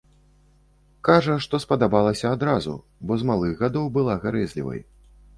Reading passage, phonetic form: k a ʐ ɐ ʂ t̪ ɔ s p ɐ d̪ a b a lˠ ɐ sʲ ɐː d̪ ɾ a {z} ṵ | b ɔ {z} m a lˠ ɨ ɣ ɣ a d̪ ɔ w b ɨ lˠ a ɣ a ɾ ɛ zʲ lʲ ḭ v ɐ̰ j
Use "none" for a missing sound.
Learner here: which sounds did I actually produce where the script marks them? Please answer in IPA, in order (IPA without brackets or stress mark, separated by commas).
z, z